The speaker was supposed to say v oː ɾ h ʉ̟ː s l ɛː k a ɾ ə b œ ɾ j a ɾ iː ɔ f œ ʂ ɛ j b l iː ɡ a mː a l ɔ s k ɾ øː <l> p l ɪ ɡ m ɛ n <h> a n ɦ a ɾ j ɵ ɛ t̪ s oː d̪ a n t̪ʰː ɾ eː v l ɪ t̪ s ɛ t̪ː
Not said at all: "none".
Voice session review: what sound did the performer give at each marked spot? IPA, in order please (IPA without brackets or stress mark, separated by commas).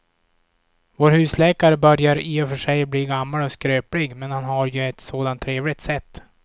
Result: none, h